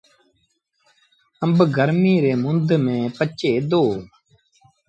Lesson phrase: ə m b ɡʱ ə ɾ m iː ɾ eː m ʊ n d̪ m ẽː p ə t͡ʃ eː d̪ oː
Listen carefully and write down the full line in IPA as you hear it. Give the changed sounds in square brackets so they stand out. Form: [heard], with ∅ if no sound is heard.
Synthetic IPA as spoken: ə m b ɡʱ ə ɾ m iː ɾ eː m ʊ n d̪ m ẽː p ə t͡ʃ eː d̪ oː